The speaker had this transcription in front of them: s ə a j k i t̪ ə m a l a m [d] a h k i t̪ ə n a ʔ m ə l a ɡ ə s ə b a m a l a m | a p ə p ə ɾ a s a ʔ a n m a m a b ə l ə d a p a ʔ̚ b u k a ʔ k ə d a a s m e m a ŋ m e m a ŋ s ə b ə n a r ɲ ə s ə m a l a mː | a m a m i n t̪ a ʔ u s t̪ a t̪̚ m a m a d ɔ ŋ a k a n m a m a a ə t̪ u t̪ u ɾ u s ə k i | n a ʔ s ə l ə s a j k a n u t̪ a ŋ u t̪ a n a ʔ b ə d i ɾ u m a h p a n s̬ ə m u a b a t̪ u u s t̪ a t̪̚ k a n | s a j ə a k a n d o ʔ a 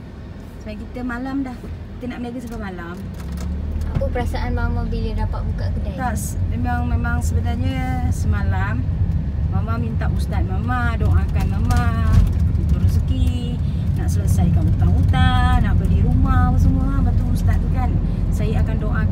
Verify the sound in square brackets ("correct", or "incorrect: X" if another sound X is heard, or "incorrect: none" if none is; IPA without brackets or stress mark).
correct